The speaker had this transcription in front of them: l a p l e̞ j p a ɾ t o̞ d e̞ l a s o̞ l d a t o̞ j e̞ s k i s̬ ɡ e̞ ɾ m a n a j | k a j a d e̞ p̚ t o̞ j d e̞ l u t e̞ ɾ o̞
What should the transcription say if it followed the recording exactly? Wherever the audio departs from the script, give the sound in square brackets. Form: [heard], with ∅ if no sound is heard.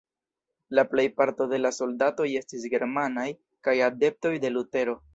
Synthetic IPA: l a p l e̞ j p a ɾ t o̞ d e̞ l a s o̞ l d a t o̞ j e̞ s [t] i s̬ ɡ e̞ ɾ m a n a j | k a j a d e̞ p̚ t o̞ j d e̞ l u t e̞ ɾ o̞